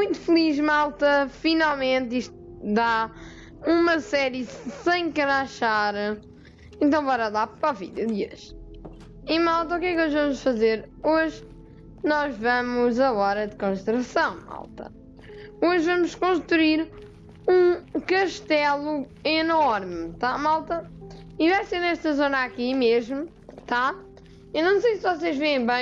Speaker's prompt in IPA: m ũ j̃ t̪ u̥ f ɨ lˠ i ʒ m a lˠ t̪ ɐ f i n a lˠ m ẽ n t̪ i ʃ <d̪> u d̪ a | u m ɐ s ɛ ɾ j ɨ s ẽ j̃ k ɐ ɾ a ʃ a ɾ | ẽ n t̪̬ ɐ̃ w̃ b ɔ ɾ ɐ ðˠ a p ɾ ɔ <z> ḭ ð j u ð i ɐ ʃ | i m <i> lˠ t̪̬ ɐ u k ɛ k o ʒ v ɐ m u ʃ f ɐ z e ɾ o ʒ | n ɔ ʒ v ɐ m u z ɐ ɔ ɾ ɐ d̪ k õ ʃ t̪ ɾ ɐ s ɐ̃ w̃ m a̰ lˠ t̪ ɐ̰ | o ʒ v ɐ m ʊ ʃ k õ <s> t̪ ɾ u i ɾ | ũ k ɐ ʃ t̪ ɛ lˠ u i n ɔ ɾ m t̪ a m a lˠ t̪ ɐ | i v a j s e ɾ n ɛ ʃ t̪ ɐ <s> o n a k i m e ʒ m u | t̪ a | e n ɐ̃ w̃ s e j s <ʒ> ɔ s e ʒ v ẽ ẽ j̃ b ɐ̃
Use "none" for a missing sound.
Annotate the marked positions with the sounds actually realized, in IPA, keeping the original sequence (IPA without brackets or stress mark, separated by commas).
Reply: t̪, v, a, ʃ, z, v